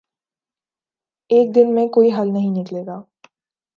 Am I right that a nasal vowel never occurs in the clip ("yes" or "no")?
no